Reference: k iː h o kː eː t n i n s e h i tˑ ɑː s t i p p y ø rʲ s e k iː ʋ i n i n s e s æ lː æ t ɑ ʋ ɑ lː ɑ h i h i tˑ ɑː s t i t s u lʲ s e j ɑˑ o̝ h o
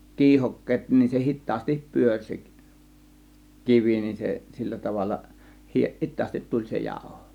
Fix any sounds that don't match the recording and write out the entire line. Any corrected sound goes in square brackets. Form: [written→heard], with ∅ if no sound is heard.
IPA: k iː h o kː eː t n i n s e h i tˑ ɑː s t i p p y ø rʲ s e k [iː→i] ʋ i n i n s e s [æ→i] lː æ t ɑ ʋ ɑ lː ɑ h i h i tˑ ɑː s t i t [s→t] u lʲ s e j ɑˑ o̝ h o

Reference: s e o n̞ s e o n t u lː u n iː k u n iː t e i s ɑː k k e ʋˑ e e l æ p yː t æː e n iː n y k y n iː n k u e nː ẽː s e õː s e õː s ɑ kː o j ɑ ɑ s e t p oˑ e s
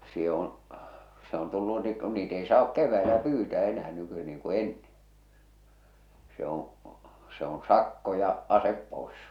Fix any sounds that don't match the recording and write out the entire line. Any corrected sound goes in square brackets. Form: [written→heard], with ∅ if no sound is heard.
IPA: s e o n̞ s e o n t u lː u n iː k u n iː t e i s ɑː k k e ʋˑ [e→æ] e l æ p yː t æː e n [iː→æː] n y k y n iː [n→ŋ] k u e nː ẽː s e õː s e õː s ɑ kː o j ɑ ɑ s e [t→p] p oˑ e s

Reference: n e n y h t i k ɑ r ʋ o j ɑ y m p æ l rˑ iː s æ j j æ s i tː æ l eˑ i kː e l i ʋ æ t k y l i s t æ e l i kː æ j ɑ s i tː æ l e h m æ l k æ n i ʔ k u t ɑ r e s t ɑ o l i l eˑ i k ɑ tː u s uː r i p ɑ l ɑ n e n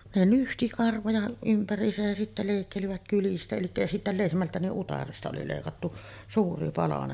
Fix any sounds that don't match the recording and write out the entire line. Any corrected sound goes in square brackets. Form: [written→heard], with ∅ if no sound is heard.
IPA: n e n y h t i k ɑ r ʋ o j ɑ y m p æ [l→∅] rˑ iː s æ j j æ s i tː æ l eˑ i kː e l i ʋ æ t k y l i s t æ e l i kː æ j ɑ s i tː æ l e h m æ l [k→t] æ n i ʔ [k→ʔ] u t ɑ r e s t ɑ o l i l eˑ i k ɑ tː u s uː r i p ɑ l ɑ n e n

